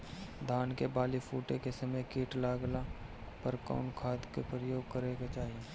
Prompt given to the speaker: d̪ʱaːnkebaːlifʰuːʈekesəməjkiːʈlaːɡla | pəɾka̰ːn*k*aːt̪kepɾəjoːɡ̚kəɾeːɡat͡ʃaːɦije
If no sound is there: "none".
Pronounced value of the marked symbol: kʰ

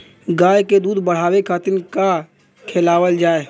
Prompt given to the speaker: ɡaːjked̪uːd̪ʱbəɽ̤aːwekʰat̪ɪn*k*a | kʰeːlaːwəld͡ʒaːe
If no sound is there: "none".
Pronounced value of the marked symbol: k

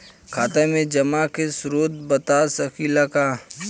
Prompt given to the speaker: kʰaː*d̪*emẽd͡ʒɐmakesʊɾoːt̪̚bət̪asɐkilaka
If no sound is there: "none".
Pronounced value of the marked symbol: t̪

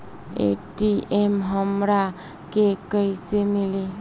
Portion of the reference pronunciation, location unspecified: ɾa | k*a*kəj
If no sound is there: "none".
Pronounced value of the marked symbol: e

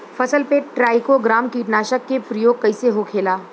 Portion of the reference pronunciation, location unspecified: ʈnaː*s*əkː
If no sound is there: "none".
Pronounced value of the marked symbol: ʃ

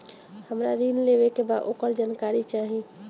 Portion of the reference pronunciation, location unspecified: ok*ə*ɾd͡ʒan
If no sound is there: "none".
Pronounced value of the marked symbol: ə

